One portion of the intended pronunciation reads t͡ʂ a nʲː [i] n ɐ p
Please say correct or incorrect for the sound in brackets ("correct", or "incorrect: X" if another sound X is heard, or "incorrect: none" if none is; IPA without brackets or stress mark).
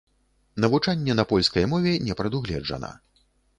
incorrect: ɛ